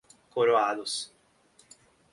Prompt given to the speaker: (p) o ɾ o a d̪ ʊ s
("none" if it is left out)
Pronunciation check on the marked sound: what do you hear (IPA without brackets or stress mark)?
k